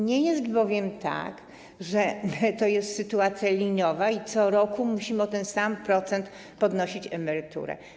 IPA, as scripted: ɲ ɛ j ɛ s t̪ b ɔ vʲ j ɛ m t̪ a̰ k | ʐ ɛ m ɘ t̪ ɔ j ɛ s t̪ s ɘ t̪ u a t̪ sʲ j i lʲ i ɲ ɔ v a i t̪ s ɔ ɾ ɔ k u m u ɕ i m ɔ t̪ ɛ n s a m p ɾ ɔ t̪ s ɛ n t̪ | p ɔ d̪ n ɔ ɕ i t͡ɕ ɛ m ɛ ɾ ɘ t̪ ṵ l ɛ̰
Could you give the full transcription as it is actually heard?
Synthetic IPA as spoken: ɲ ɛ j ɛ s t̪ b ɔ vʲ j ɛ m t̪ a̰ k | ʐ ɛ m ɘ t̪ ɔ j ɛ s t̪ s ɘ t̪ u a t̪ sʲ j a lʲ i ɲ ɔ v a i t̪ s ɔ ɾ ɔ k u m u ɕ i m ɔ t̪ ɛ n s a m p ɾ ɔ t̪ s ɛ n t̪ | p ɔ d̪ n ɔ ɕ i t͡ɕ ɛ m ɛ ɾ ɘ t̪ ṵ ɾ ɛ̰